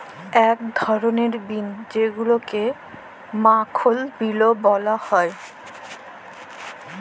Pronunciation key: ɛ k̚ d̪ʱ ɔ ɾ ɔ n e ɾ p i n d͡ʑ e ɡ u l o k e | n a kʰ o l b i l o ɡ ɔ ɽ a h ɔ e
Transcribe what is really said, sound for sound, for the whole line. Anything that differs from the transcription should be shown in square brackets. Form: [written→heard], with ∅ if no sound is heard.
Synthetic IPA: ɛ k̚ d̪ʱ ɔ ɾ [ɔ→o] n e ɾ [p→b] i n d͡ʑ e ɡ u l o k e | [n→m] a kʰ o l b i l o [ɡ→b] ɔ [ɽ→l] a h ɔ e